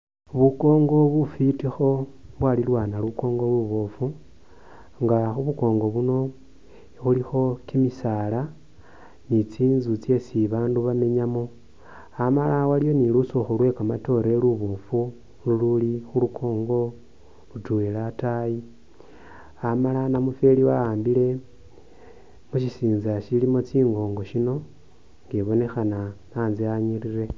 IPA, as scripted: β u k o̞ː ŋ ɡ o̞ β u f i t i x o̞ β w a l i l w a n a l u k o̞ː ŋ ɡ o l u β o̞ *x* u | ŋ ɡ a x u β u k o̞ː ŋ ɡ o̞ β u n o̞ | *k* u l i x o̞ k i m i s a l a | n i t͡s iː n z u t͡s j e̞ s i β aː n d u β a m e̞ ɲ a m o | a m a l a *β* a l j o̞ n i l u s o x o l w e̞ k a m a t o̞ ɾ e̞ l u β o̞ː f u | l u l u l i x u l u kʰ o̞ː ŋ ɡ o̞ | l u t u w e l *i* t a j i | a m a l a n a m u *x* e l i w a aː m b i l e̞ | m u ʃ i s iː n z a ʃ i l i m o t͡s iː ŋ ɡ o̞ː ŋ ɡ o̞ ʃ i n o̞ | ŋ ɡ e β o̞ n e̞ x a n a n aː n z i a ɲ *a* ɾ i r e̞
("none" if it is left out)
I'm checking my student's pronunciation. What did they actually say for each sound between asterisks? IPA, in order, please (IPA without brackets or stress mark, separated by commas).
f, x, w, a, f, i